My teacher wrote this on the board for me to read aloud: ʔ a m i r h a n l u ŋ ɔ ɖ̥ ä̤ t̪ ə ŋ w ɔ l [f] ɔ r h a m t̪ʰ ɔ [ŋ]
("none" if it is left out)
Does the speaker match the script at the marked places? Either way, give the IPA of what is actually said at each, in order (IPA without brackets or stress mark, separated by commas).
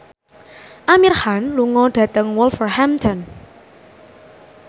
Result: f, n